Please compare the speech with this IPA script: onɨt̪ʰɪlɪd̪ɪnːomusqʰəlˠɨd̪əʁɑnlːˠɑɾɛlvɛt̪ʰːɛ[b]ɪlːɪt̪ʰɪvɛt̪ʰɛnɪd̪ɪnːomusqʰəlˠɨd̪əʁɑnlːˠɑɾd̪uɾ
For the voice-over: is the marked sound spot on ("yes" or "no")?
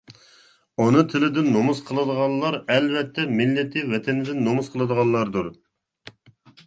no